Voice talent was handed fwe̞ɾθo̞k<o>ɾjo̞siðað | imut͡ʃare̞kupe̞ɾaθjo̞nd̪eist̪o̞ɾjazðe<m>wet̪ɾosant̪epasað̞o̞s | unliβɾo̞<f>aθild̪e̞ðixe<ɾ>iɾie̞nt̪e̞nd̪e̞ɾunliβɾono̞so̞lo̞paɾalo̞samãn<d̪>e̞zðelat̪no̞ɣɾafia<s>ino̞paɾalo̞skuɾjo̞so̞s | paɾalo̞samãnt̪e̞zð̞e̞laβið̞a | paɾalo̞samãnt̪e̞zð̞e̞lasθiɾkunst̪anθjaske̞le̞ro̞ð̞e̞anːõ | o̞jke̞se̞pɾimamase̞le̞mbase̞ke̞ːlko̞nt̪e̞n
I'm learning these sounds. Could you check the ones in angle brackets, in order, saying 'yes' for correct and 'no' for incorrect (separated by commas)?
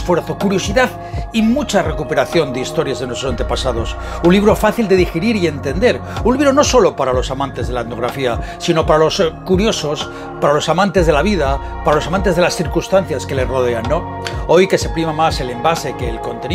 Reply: no, no, yes, yes, no, yes